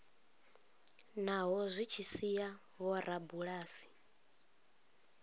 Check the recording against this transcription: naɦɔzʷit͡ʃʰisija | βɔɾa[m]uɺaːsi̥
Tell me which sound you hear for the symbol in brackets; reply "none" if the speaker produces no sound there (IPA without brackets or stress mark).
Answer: b